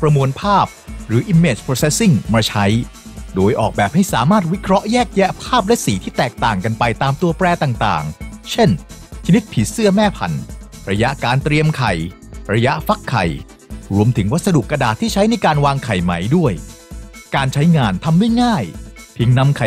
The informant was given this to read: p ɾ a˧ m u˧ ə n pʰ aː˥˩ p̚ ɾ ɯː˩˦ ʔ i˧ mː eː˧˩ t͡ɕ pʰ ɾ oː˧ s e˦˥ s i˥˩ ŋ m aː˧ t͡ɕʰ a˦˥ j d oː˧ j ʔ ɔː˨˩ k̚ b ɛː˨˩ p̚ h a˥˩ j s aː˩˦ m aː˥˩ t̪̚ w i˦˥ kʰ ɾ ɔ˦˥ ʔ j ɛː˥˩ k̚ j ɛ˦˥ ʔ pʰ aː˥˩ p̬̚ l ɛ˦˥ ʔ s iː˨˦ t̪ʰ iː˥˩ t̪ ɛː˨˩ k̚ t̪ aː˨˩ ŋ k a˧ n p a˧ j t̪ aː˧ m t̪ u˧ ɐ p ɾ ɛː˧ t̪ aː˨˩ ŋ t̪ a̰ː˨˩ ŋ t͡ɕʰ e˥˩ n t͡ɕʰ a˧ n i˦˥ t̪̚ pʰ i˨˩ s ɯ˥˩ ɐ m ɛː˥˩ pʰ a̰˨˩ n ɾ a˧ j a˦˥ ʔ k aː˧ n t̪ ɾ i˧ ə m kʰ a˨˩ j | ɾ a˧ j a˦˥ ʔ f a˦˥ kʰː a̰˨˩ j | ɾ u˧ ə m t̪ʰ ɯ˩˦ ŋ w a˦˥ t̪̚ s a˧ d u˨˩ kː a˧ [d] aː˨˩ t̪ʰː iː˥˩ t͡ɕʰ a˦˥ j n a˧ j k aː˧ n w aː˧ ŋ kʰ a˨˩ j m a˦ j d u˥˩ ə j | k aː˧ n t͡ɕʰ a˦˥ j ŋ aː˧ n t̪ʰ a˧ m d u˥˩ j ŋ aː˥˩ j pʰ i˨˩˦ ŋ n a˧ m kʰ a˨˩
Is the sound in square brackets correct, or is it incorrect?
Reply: correct